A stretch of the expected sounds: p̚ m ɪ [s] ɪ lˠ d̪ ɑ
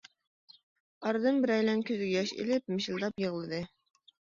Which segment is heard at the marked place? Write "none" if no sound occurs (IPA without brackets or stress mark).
ʃ